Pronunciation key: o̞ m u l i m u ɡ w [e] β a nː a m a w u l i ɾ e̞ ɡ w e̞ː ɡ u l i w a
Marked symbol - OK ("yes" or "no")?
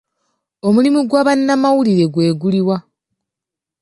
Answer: no